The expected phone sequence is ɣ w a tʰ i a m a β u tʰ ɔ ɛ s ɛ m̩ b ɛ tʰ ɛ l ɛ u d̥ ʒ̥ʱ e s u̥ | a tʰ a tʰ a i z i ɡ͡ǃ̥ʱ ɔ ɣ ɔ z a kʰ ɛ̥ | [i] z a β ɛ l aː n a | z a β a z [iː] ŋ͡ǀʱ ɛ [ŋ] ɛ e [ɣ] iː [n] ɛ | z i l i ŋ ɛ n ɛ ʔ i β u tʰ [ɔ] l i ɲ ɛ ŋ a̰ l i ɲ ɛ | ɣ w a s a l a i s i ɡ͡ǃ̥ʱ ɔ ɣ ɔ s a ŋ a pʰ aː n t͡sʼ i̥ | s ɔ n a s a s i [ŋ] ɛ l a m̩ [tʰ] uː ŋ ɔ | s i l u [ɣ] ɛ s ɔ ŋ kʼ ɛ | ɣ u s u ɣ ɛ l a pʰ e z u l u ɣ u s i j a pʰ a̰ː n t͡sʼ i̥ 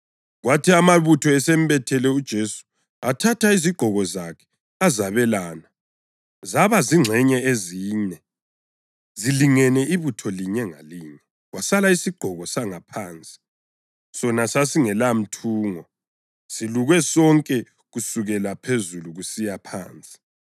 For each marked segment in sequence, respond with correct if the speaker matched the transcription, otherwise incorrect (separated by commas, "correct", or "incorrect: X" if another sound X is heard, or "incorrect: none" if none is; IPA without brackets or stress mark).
incorrect: a, incorrect: i, incorrect: ɲ, incorrect: z, incorrect: ɲ, correct, correct, correct, correct